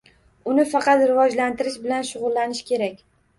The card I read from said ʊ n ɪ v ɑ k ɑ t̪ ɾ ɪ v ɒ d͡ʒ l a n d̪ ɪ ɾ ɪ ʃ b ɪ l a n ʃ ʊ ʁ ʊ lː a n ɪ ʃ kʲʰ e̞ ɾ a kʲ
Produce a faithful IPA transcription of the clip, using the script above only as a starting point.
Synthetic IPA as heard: ʊ n ɪ f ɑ q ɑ t̪ ɾ ɪ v ɒ d͡ʒ l a n t̪ ɪ ɾ ɪ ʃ b ɪ l a n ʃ ʊ ʁ ʊ lː a n ɪ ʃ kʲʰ e̞ ɾ a kʲ